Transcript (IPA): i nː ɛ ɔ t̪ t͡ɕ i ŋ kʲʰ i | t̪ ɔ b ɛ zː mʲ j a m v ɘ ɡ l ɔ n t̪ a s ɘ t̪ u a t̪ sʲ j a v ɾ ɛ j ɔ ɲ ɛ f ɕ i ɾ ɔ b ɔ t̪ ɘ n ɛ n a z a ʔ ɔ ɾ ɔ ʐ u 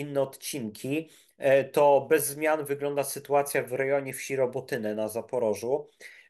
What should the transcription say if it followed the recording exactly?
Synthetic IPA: i nː ɛ ɔ t̪ t͡ɕ i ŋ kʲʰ i | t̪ ɔ b ɛ zː mʲ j a n v ɘ ɡ l ɔ n d̪ a s ɘ t̪ u a t̪ sʲ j a v ɾ ɛ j ɔ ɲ ɛ f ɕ i ɾ ɔ b ɔ t̪ ɘ n ɛ n a z a p ɔ ɾ ɔ ʐ u